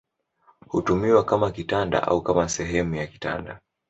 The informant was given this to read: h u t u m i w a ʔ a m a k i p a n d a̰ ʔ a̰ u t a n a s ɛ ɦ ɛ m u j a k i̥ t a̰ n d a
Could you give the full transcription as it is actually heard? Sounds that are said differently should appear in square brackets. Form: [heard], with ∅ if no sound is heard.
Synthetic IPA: h u t u m i w a [k] a m a k i [t] a n d a̰ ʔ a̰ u [k] a [m] a s ɛ ɦ ɛ m u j a k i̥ t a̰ n d a